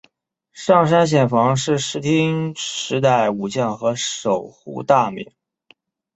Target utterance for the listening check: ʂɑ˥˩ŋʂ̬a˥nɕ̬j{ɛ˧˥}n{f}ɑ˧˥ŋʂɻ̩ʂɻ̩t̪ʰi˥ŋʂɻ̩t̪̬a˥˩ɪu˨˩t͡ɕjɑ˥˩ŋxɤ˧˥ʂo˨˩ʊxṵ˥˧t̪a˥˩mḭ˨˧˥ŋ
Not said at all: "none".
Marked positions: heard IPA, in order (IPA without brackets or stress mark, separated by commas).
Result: ɛ˨˩, f